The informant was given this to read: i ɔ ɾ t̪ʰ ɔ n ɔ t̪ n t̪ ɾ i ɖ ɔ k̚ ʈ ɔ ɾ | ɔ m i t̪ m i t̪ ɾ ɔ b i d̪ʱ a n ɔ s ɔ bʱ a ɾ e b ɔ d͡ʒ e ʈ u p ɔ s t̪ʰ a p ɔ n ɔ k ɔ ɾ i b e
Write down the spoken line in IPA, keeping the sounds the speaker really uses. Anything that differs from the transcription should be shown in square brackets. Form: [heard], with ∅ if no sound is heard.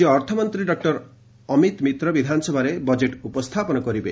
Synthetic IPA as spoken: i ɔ ɾ t̪ʰ ɔ [m] ɔ [∅] n t̪ ɾ i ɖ ɔ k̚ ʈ ɔ ɾ | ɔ m i t̪ m i t̪ ɾ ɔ b i d̪ʱ a n ɔ s ɔ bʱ a ɾ e b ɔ d͡ʒ e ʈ u p ɔ s t̪ʰ a p ɔ n ɔ k ɔ ɾ i b e